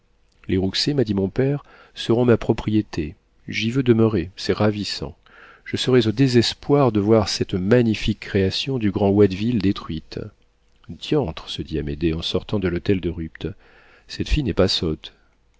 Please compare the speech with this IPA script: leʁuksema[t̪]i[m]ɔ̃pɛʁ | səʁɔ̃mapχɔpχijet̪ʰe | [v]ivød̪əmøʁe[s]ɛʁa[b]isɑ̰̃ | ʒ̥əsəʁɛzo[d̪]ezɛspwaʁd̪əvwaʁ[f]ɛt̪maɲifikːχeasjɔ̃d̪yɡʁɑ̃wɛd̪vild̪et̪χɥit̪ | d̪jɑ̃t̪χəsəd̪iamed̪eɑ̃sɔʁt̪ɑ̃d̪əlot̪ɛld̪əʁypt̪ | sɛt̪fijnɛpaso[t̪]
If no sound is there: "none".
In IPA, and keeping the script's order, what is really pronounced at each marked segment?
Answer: d̪, m, ʒ, s, v, d̪, s, t̪

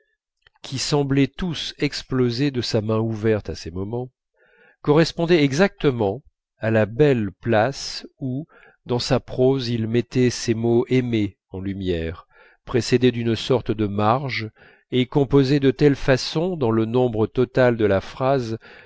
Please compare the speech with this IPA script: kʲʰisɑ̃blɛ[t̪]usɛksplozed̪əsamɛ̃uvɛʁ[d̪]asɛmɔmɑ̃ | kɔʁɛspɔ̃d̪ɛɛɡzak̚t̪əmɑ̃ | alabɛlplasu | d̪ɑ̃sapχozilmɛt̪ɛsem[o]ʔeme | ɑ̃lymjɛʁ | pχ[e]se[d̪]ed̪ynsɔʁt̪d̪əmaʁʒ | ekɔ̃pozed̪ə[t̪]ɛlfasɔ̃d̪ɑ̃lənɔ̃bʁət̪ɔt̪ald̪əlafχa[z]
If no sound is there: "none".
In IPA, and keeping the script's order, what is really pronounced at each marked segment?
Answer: t̪, t̪, o, e, d̪, t̪, z

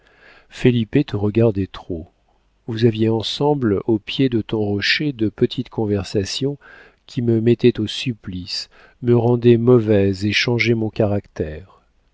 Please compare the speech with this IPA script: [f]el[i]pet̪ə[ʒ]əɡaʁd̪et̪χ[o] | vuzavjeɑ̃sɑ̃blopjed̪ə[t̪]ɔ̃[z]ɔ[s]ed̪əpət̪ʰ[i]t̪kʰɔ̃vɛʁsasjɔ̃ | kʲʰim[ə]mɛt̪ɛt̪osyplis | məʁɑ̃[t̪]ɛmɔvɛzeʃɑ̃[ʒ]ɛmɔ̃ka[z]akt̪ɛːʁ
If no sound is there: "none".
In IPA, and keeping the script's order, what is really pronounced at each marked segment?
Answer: f, i, ʁ, o, t̪, ʁ, ʃ, i, ə, d̪, ʒ, ʁ

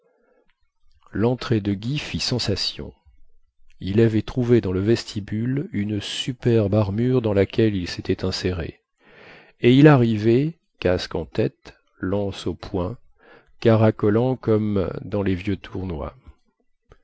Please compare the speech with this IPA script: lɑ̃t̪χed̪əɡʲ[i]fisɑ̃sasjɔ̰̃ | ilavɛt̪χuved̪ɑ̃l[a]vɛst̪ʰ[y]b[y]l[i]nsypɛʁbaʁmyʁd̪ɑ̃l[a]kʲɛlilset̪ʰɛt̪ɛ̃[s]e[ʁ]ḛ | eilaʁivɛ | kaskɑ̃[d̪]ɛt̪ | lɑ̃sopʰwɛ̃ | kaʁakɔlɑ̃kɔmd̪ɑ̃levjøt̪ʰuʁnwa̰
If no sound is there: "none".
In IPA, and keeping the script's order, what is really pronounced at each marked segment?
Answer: i, ə, i, y, y, a, s, ʁ, t̪

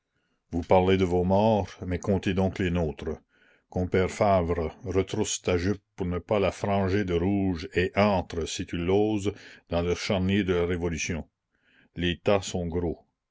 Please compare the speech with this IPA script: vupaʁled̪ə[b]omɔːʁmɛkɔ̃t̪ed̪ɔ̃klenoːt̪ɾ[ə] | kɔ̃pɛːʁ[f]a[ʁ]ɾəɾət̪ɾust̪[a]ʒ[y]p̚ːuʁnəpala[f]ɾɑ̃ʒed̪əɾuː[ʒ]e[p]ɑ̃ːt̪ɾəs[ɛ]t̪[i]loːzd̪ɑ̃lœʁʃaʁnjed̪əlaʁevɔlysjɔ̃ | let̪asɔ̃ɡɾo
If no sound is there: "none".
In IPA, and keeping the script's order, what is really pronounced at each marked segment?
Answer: v, ə, f, v, a, y, f, ʒ, ʔ, i, y

